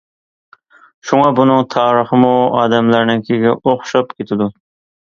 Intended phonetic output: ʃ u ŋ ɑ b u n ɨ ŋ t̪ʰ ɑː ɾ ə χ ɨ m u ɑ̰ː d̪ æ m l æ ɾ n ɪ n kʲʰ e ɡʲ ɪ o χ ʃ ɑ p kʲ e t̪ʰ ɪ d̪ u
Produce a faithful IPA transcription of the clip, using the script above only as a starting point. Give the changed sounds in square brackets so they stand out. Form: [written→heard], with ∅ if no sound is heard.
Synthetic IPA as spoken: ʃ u ŋ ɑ b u n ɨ ŋ t̪ʰ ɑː ɾ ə χ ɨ m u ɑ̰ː d̪ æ m l æ ɾ n ɪ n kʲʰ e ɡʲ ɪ o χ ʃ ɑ p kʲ e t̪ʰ ɪ d̪ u